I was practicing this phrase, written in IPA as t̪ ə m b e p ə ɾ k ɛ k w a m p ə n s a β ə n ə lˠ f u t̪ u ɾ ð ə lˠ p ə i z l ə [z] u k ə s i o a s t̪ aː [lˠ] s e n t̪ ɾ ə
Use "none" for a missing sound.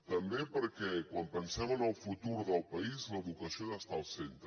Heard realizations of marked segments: ð, lˠ

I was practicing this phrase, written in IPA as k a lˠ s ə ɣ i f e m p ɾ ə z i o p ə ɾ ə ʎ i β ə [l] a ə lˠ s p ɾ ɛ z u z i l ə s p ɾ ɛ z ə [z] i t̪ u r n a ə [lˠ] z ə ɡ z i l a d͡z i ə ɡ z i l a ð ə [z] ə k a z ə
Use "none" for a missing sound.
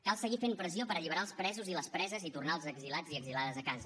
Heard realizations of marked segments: ɾ, z, lˠ, z

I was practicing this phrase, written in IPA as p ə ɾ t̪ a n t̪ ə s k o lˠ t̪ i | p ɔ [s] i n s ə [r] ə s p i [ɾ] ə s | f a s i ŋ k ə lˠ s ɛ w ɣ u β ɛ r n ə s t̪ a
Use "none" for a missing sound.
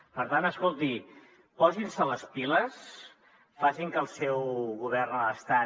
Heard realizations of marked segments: z, l, l

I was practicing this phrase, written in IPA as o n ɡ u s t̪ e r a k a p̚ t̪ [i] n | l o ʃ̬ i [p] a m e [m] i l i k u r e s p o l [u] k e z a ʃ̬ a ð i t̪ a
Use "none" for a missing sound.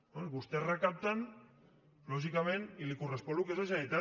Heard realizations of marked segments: a, k, n, u

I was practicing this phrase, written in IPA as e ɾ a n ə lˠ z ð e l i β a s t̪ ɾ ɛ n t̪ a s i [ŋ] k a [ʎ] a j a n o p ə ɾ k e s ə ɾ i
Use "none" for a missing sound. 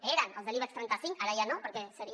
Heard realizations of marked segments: ŋ, ɾ

